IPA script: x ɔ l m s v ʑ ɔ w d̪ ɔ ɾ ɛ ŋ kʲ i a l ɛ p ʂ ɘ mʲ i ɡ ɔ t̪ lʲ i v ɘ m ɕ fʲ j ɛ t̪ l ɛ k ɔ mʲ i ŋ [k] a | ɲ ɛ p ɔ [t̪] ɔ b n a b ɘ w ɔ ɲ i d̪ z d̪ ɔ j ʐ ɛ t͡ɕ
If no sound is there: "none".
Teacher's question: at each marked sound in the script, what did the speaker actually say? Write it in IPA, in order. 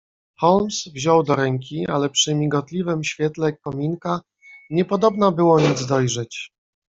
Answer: k, d̪

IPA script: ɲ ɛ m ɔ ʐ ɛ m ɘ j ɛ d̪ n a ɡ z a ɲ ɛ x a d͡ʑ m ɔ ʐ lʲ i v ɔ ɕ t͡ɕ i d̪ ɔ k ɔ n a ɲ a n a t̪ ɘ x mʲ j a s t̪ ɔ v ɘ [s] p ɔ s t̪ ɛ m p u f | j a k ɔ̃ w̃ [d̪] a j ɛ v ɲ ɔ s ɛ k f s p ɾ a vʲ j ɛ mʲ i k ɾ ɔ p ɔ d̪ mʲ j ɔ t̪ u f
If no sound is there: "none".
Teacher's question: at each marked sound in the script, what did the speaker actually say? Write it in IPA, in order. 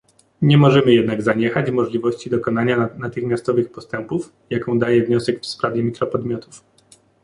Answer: x, d̪

